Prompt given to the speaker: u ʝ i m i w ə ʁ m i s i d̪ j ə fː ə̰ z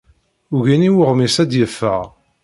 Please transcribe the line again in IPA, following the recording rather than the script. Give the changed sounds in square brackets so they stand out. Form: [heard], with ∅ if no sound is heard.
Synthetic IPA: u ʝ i [n] i w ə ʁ m i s [æ] d̪ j ə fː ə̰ [ʁ]